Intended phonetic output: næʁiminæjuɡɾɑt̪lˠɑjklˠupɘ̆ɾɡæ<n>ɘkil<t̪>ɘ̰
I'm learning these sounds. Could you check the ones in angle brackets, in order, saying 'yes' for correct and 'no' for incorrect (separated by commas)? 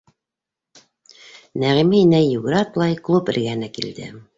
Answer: yes, no